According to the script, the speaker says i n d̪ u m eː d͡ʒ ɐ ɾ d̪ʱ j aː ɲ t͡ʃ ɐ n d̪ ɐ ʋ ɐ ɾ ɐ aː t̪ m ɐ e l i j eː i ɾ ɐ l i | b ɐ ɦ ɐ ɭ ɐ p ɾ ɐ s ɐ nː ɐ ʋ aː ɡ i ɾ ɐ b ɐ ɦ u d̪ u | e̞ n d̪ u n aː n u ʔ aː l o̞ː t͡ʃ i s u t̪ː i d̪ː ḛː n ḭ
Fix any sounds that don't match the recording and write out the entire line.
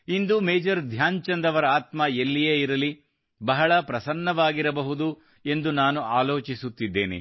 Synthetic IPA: i n d̪ u m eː d͡ʒ ɐ ɾ d̪ʱ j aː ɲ t͡ʃ ɐ n d̪ ɐ ʋ ɐ ɾ ɐ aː t̪ m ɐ e lː i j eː i ɾ ɐ l i | b ɐ ɦ ɐ ɭ ɐ p ɾ ɐ s ɐ nː ɐ ʋ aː ɡ i ɾ ɐ b ɐ ɦ u d̪ u | e̞ n d̪ u n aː n u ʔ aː l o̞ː t͡ʃ i s u t̪ː i d̪ː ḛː n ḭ

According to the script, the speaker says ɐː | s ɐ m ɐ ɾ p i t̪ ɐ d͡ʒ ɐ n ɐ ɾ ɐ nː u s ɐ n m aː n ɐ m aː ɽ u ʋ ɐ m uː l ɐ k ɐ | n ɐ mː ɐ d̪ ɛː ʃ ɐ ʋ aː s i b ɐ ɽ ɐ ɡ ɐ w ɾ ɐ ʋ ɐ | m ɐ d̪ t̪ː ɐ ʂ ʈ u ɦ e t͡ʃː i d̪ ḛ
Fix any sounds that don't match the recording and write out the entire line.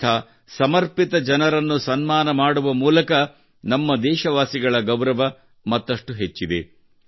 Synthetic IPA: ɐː | s ɐ m ɐ ɾ p i t̪ ɐ d͡ʒ ɐ n ɐ ɾ ɐ nː u s ɐ n m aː n ɐ m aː ɽ u ʋ ɐ m uː l ɐ k ɐ | n ɐ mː ɐ d̪ ɛː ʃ ɐ ʋ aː s i ɡ ɐ ɭ ɐ ɡ ɐ w ɾ ɐ ʋ ɐ | m ɐ t̪ː ɐ ʂ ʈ u ɦ e t͡ʃː i d̪ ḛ

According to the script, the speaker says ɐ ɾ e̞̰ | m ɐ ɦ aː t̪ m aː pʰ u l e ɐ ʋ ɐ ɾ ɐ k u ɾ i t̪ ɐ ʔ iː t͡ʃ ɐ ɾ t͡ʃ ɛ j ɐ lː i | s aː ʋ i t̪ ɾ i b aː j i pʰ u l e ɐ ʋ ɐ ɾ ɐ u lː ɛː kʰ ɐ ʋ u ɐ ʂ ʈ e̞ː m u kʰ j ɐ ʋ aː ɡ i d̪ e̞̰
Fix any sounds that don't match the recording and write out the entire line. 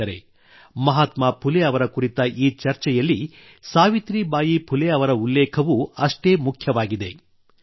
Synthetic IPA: ɐ ɾ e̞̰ | m ɐ ɦ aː t̪ m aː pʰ u l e ɐ ʋ ɐ ɾ ɐ k u ɾ i t̪ ɐ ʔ iː t͡ʃ ɐ ɾ t͡ʃ ɛ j ɐ lː i | s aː ʋ i t̪ ɾ i b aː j i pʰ u l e ɐ ʋ ɐ ɾ ɐ u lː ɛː kʰ ɐ ʋ u ɐ ʂ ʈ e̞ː m u kʰ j ɐ ʋ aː ɡ i d̪ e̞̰

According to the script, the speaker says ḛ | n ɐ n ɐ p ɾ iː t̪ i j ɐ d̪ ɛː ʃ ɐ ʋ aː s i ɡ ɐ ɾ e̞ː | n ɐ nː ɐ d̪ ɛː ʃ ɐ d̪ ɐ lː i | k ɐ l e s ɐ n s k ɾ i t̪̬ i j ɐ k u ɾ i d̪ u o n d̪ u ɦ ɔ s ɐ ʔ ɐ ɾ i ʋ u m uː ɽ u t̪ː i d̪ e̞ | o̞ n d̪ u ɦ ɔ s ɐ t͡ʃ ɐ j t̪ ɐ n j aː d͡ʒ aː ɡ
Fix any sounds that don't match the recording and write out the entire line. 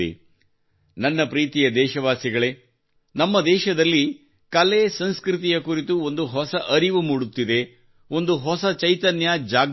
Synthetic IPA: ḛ | n ɐ nː ɐ p ɾ iː t̪ i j ɐ d̪ ɛː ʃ ɐ ʋ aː s i ɡ ɐ ɭ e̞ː | n ɐ mː ɐ d̪ ɛː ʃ ɐ d̪ ɐ lː i | k ɐ l e s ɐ n s k ɾ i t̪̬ i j ɐ k u ɾ i t̪ u o n d̪ u ɦ ɔ s ɐ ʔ ɐ ɾ i ʋ u m uː ɽ u t̪ː i d̪ e̞ | o̞ n d̪ u ɦ ɔ s ɐ t͡ʃ ɐ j t̪ ɐ n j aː d͡ʒ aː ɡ

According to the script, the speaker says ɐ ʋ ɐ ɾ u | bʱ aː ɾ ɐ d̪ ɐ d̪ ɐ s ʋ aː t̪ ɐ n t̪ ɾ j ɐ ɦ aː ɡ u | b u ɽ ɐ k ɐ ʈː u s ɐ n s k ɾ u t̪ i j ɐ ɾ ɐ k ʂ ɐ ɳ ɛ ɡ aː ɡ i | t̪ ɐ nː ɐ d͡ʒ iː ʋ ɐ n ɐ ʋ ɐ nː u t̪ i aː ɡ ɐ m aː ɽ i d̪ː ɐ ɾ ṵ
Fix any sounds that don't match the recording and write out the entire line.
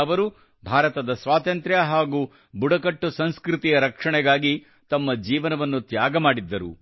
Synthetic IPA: ɐ ʋ ɐ ɾ u | bʱ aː ɾ ɐ t̪ ɐ d̪ ɐ s ʋ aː t̪ ɐ n t̪ ɾ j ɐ ɦ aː ɡ u | b u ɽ ɐ k ɐ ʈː u s ɐ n s k ɾ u t̪ i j ɐ ɾ ɐ k ʂ ɐ ɳ ɛ ɡ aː ɡ i | t̪ ɐ mː ɐ d͡ʒ iː ʋ ɐ n ɐ ʋ ɐ nː u t̪ j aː ɡ ɐ m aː ɽ i d̪ː ɐ ɾ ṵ

